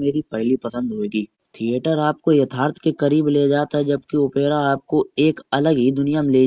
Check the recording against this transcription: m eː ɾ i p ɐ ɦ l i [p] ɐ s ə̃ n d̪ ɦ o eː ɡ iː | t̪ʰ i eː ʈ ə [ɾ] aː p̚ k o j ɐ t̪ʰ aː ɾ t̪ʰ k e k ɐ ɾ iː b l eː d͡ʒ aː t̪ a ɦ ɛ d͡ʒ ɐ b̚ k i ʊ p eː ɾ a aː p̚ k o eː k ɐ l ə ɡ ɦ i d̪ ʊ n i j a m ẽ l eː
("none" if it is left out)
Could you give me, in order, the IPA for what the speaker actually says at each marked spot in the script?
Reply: p, ɾ

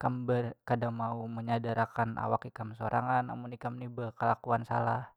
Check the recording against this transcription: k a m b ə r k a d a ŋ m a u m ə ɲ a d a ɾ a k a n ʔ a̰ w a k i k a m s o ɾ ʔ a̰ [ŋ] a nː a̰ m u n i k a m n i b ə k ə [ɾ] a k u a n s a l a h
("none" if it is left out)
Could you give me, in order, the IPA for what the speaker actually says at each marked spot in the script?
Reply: ŋ, l

